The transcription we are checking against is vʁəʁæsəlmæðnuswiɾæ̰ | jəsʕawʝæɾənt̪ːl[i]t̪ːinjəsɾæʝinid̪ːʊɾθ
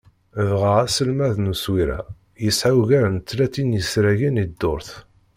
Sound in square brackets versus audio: incorrect: æ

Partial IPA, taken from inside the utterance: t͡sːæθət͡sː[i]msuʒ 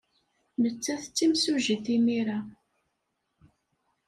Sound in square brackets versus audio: correct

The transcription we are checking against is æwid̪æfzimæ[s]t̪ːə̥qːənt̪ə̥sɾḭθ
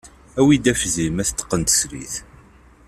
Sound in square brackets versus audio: incorrect: θ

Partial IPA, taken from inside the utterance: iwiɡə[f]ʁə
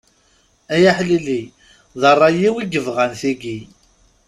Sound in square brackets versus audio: incorrect: v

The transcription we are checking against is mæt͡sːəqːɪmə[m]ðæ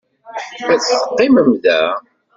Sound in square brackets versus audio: correct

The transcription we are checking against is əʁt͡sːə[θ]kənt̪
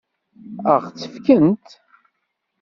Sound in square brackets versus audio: incorrect: f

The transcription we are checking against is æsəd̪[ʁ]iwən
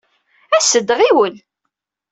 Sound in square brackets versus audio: correct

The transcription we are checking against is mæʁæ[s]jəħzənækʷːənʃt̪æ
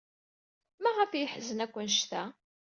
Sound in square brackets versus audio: incorrect: f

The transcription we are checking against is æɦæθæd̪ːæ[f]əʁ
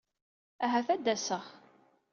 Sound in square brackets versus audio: incorrect: s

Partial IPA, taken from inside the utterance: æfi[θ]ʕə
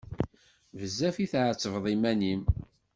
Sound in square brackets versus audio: correct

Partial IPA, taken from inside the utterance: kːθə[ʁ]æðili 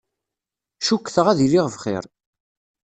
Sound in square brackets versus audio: correct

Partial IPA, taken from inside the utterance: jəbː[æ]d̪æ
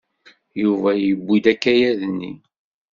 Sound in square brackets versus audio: incorrect: i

